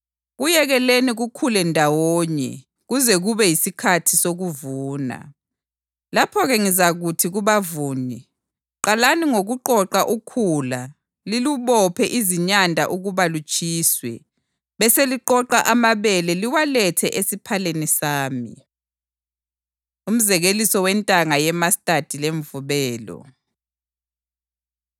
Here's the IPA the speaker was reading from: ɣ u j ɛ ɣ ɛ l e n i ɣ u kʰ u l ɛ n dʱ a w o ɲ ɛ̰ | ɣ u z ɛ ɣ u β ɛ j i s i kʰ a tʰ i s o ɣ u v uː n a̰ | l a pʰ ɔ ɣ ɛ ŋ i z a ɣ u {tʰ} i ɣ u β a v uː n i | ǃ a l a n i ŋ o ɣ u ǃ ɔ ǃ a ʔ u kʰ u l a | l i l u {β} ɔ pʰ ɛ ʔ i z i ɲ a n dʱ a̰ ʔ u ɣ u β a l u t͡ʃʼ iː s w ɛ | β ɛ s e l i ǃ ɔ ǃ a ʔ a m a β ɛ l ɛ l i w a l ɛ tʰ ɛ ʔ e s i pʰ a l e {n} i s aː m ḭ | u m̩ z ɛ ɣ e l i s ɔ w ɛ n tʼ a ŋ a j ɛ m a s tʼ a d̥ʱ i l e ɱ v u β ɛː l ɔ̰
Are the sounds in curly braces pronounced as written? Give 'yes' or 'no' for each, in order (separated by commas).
yes, yes, yes